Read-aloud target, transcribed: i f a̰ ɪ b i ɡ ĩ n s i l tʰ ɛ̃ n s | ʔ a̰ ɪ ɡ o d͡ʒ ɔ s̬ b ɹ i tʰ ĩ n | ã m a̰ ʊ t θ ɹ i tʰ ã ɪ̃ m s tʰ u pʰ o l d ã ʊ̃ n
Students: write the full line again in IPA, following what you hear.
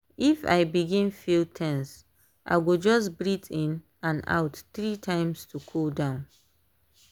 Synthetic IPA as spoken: i f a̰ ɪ b i ɡ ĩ n f i l tʰ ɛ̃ n s | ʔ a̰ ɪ ɡ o d͡ʒ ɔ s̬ b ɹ i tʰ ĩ n | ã n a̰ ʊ t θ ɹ i tʰ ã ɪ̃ m s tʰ u kʰ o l d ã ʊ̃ n

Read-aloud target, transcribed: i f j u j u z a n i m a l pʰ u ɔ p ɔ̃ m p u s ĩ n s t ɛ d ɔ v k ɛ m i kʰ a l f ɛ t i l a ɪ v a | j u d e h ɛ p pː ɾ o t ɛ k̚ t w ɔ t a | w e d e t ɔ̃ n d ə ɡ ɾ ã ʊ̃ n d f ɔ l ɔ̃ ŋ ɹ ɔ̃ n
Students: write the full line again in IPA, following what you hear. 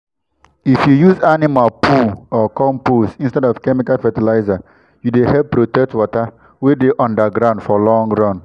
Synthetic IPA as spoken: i f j u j u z a n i m a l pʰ u ɔ k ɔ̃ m p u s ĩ n s t ɛ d ɔ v k ɛ m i k a l f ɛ t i l a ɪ z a | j u d e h ɛ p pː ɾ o t ɛ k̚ t w ɔ t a | w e d e ʔ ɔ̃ n d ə ɡ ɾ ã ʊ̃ n d f ɔ l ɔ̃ ŋ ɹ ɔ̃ n

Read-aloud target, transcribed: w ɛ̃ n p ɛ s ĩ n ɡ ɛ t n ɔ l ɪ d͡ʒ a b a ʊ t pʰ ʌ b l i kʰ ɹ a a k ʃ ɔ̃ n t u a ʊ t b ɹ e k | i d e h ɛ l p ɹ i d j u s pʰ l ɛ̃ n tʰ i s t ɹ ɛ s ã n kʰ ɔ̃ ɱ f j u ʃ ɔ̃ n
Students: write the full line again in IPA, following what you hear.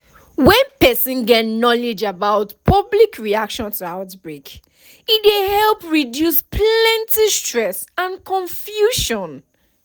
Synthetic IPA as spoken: w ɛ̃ n p ɛ s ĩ n ɡ ɛ t n ɔ l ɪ d͡ʒ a b a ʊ t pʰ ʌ b l i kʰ ɹ i a k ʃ ɔ̃ n t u a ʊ t b ɹ e k | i d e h ɛ l p ɹ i d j u s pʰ l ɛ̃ n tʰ i s t ɹ ɛ s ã n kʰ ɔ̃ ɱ f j u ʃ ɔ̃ n

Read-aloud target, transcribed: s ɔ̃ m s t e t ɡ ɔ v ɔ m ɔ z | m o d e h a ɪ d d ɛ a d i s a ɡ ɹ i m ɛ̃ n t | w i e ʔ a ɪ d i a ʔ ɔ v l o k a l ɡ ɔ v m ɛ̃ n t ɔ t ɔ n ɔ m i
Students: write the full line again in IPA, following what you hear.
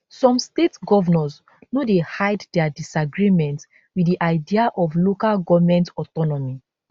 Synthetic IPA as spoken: s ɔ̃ m s t e t ɡ ɔ v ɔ n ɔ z | n o d e h a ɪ d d ɛ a d i s a ɡ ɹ i m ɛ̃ n t | w i i ʔ a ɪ d i a ʔ ɔ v l o k a l ɡ ɔ v m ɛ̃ n t ɔ t ɔ n ɔ m i

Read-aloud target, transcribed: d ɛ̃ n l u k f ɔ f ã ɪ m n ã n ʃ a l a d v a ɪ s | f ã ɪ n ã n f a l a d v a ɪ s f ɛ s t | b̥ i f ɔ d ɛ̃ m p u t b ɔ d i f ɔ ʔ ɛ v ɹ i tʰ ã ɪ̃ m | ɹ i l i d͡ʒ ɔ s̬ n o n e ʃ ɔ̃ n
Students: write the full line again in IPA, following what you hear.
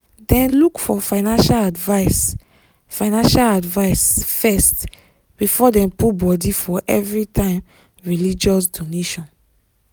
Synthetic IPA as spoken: d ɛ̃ n l u k f ɔ f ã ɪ n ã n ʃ a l a d v a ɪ s | f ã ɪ n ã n ʃ a l a d v a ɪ s f ɛ s t | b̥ i f ɔ d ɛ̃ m p u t b ɔ d i f ɔ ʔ ɛ v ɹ i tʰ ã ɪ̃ m | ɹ i l i d͡ʒ ɔ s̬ d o n e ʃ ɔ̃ n

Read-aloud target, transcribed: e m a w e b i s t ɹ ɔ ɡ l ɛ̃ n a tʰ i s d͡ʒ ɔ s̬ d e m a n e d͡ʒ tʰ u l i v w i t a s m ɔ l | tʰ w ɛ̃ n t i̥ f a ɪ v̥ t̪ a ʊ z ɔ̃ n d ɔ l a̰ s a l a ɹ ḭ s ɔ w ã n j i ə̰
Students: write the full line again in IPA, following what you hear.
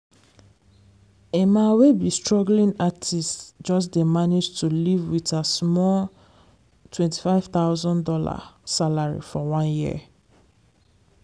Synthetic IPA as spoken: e m a w e b i s t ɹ ɔ ɡ l ĩ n a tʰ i s d͡ʒ ɔ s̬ d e m a n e d͡ʒ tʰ u l i v w i t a s m ɔ l | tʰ w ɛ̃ n t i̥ f a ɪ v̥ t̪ a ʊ z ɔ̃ n d ɔ l a̰ s a l a ɹ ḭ f ɔ w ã n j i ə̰

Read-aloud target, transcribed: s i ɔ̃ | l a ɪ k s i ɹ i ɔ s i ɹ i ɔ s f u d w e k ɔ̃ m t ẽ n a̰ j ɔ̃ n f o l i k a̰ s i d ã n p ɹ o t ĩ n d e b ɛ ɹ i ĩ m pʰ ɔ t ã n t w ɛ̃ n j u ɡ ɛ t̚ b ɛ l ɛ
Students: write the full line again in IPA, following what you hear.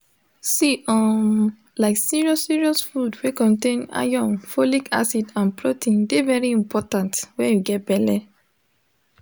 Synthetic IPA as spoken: s i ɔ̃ | l a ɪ k s i ɹ i ɔ s i ɹ i ɔ s f u d w e k ɔ̃ n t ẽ n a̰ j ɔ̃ n f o l i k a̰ s i d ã n p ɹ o t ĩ n d e v ɛ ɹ i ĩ m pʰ ɔ t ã n t w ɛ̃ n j u ɡ ɛ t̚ b ɛ l ɛ

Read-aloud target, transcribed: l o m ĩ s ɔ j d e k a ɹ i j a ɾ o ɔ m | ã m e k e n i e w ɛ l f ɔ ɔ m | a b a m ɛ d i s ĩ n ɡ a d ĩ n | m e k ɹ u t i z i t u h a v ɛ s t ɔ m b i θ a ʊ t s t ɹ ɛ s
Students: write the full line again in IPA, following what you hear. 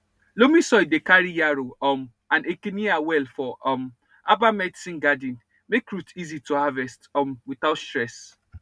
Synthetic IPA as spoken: l o m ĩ s ɔ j d e k a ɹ i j a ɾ o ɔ m | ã n e k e n i a w ɛ l f ɔ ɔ m | a b a m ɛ d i s ĩ n ɡ a d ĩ n | m e k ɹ u t i z i t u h a v ɛ s t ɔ m w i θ a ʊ t s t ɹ ɛ s

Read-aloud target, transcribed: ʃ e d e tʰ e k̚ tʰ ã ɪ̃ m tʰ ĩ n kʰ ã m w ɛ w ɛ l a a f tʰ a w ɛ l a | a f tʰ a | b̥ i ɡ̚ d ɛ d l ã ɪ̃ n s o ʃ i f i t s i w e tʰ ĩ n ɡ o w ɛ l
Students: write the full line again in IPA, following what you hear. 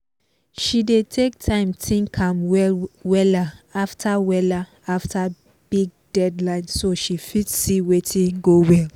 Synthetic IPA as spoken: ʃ i d e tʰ e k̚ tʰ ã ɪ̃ m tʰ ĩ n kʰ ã m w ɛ w ɛ l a a f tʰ a w ɛ l a | a f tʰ a | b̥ i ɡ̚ d ɛ d l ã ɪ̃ n s o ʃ i f i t s i w e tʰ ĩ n ɡ o w ɛ l

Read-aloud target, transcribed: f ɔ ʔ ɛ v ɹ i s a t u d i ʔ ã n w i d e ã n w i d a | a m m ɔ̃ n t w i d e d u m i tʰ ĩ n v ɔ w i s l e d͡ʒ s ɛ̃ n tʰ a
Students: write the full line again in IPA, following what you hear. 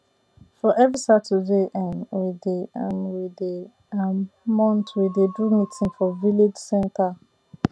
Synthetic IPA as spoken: f ɔ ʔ ɛ v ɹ i s a t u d e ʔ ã n w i d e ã n w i d e | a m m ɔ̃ n t w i d e d u m i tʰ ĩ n f ɔ v i l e d͡ʒ s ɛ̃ n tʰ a

